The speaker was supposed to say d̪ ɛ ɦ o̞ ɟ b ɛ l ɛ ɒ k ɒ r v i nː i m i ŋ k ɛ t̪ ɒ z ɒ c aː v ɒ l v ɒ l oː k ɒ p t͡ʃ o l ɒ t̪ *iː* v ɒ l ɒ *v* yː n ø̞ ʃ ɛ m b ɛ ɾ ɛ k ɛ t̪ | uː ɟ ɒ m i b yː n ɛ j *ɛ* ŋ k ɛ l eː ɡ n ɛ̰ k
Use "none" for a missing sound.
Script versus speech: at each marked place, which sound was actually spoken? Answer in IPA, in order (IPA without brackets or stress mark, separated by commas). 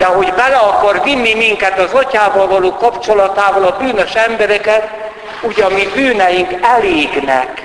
aː, b, i